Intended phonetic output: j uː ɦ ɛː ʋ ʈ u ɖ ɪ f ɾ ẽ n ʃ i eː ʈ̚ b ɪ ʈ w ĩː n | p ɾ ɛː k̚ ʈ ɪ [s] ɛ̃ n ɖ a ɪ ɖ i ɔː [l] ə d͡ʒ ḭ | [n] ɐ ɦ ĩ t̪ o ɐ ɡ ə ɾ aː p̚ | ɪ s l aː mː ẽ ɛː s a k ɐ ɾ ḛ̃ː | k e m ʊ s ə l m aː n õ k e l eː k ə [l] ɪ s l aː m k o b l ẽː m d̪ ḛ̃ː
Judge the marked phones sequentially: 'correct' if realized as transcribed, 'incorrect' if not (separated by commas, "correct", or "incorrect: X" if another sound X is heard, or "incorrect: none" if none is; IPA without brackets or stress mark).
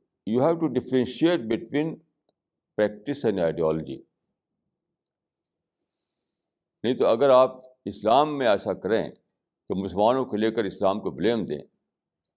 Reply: correct, correct, correct, incorrect: ɾ